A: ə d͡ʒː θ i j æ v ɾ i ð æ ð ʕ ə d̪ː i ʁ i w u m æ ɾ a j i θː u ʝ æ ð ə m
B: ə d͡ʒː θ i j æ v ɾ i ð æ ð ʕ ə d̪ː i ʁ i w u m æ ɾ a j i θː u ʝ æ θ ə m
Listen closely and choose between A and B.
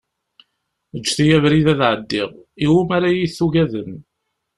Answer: A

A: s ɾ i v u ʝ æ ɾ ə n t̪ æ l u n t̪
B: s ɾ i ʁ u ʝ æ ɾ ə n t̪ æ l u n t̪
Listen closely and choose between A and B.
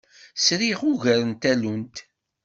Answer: B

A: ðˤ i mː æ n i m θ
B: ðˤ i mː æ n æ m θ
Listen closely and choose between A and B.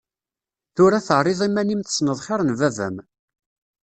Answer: A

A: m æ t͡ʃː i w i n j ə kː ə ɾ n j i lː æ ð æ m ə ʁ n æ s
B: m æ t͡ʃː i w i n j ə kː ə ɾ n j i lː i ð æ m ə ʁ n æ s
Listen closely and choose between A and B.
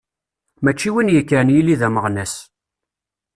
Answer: B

